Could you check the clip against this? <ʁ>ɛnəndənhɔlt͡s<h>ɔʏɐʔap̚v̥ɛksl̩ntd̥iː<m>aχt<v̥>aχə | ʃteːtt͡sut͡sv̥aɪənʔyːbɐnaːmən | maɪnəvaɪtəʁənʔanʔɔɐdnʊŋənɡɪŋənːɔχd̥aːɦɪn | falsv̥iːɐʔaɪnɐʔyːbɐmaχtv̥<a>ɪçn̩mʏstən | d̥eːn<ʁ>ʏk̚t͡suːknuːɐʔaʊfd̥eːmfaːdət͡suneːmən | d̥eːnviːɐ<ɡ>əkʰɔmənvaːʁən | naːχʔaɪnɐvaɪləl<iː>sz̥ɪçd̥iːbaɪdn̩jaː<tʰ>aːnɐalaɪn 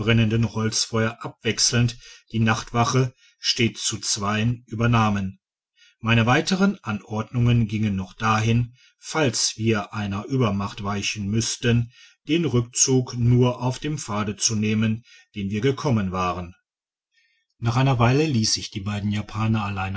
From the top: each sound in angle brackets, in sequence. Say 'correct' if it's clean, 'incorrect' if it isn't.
correct, incorrect, incorrect, correct, correct, correct, correct, correct, incorrect

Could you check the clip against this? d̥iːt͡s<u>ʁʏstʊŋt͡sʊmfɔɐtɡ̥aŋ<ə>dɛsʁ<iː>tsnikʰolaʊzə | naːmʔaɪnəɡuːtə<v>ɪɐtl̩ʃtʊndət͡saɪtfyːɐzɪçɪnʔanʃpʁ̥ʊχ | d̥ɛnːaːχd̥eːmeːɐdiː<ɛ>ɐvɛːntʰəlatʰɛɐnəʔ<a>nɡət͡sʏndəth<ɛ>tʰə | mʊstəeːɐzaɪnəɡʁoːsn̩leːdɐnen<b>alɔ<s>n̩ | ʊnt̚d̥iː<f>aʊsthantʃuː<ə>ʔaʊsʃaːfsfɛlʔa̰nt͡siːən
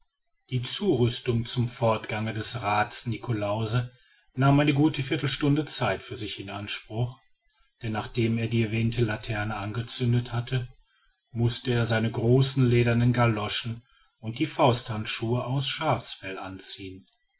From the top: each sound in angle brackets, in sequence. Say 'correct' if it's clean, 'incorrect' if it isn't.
incorrect, correct, incorrect, incorrect, correct, correct, incorrect, incorrect, incorrect, correct, correct

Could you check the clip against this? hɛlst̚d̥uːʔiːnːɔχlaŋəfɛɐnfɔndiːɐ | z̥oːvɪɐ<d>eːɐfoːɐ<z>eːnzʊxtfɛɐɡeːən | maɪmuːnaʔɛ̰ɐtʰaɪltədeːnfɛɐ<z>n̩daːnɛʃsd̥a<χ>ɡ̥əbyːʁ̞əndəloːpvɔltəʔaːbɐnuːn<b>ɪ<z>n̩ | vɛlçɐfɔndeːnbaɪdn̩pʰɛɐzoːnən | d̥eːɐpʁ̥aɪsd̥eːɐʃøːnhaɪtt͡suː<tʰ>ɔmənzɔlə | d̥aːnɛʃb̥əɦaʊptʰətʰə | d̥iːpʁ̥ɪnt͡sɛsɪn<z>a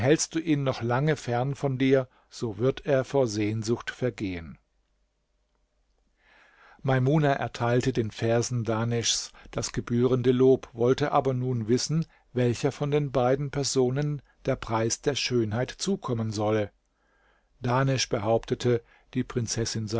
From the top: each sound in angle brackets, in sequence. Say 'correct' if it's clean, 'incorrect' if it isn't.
incorrect, correct, correct, incorrect, incorrect, incorrect, incorrect, correct

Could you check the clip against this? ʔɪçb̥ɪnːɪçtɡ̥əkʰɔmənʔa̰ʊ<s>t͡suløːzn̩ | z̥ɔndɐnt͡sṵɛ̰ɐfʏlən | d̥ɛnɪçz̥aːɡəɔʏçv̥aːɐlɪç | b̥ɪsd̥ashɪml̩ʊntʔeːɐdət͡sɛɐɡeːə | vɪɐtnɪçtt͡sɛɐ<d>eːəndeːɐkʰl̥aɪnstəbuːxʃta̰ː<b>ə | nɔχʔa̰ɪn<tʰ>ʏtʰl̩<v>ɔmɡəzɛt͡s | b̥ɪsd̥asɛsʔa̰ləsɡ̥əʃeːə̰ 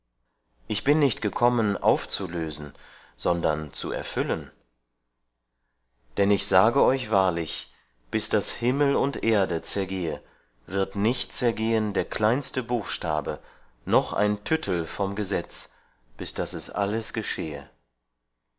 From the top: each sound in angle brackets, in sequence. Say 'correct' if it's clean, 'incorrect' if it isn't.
incorrect, incorrect, correct, correct, incorrect

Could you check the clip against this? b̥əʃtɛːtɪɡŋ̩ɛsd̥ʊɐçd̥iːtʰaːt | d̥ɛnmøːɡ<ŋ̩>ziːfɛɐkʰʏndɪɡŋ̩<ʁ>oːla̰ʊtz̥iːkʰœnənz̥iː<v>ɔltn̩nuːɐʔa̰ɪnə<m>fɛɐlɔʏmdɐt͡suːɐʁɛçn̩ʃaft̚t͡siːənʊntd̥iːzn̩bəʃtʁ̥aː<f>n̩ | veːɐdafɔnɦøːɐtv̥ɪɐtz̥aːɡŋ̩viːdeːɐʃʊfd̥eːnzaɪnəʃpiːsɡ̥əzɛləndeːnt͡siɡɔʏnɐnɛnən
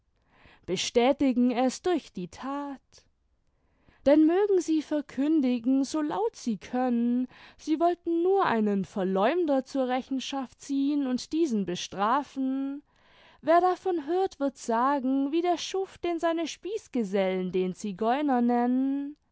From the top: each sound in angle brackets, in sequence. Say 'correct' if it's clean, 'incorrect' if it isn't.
correct, incorrect, correct, incorrect, correct

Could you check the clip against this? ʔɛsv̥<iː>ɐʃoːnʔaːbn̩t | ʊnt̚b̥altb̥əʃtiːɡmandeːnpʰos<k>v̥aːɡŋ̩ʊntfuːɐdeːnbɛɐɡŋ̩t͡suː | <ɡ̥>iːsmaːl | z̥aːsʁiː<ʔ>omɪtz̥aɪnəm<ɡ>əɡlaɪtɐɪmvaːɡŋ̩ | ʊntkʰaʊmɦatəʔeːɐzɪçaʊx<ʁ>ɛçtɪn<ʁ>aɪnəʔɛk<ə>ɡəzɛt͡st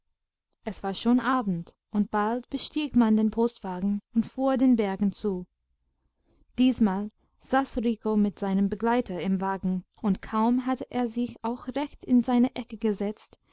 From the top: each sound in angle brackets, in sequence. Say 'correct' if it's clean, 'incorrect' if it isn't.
incorrect, incorrect, incorrect, incorrect, incorrect, correct, incorrect, correct

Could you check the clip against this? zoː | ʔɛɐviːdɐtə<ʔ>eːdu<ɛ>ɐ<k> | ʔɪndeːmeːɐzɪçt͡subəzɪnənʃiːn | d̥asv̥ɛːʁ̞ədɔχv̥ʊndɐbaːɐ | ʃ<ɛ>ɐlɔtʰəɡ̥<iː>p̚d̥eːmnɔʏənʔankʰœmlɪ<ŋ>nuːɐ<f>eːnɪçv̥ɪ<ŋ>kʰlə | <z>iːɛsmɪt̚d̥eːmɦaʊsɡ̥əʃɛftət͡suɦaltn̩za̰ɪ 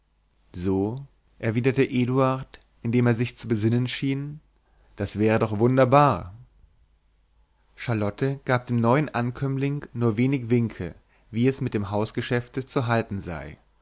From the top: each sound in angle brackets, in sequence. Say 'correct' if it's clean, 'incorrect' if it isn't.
correct, incorrect, incorrect, incorrect, incorrect, correct, incorrect, correct, incorrect

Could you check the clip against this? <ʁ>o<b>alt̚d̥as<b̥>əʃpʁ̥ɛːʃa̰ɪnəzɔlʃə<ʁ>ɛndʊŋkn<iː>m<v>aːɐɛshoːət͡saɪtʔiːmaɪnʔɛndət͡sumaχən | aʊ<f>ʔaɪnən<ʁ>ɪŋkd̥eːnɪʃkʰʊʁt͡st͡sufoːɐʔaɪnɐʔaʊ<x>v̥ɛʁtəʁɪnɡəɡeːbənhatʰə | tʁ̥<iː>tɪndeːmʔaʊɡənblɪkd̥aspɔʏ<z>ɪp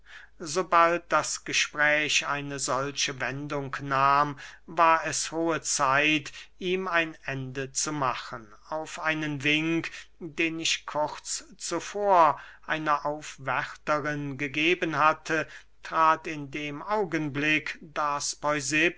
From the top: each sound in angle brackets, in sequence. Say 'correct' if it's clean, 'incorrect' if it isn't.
incorrect, correct, incorrect, incorrect, incorrect, correct, correct, incorrect, incorrect, incorrect, correct

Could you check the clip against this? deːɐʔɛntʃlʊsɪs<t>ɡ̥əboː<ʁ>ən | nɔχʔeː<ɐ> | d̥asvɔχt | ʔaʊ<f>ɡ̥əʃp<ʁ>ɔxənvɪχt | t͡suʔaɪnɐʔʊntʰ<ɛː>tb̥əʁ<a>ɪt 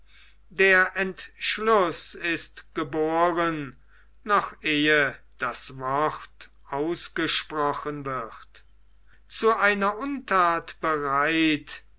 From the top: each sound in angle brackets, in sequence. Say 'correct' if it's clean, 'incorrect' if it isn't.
correct, correct, incorrect, incorrect, correct, incorrect, correct

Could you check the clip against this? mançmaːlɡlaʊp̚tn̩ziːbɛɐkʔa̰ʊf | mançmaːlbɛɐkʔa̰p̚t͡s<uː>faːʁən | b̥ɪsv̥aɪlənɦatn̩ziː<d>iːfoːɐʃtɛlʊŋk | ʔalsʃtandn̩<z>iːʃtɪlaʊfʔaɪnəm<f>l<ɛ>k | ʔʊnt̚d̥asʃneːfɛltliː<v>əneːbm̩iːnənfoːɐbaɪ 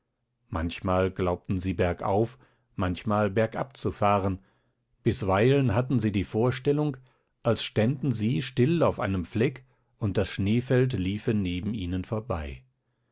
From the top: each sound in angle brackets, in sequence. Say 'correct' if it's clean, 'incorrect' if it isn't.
incorrect, correct, correct, correct, correct, incorrect

